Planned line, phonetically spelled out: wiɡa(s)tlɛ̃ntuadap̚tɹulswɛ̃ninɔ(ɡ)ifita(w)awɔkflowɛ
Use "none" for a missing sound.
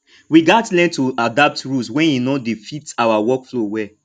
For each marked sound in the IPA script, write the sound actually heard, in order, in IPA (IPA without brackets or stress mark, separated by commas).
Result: none, d, w